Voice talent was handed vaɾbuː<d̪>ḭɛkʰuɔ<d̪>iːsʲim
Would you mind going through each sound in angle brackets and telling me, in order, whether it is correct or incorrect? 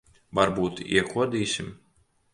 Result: incorrect: t̪, correct

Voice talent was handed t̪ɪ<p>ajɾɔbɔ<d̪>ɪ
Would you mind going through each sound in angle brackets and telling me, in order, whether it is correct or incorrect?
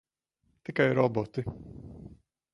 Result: incorrect: k, incorrect: t̪

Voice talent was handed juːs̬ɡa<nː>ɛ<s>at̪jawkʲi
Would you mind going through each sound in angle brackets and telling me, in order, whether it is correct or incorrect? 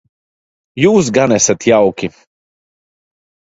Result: incorrect: n, correct

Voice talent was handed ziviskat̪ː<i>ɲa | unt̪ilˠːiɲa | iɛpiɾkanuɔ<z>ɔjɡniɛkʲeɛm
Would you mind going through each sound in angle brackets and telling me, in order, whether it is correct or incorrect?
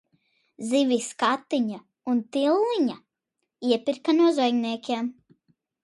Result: correct, correct

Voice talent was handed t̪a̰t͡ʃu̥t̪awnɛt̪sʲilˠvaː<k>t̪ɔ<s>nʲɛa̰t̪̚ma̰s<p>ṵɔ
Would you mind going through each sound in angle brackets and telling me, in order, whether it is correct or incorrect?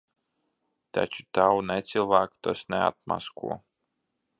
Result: correct, correct, incorrect: k

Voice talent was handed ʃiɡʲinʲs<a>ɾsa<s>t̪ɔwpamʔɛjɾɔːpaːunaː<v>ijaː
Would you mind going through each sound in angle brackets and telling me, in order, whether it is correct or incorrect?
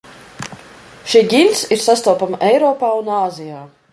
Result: incorrect: i, correct, incorrect: z

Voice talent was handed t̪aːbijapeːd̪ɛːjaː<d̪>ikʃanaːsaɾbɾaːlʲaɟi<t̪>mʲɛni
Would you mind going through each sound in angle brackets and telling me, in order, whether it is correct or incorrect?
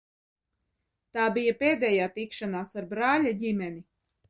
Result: incorrect: t̪, incorrect: none

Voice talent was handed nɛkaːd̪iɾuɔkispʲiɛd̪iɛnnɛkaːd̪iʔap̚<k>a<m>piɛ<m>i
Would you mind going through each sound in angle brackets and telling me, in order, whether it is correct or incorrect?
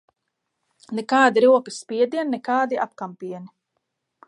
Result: correct, correct, incorrect: n

